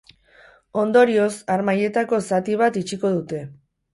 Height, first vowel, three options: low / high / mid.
mid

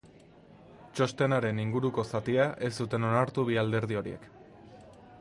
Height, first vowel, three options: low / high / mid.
mid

